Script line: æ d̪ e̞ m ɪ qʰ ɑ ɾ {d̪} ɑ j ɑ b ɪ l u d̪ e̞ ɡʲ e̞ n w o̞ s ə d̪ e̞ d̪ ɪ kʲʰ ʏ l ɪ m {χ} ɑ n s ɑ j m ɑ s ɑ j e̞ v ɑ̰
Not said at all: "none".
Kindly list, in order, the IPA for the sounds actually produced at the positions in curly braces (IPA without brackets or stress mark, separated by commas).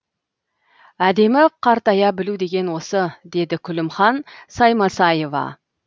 t̪, χ